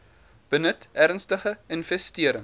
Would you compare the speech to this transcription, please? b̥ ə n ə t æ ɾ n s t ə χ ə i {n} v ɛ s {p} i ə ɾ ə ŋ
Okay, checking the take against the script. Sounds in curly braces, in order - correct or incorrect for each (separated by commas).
correct, incorrect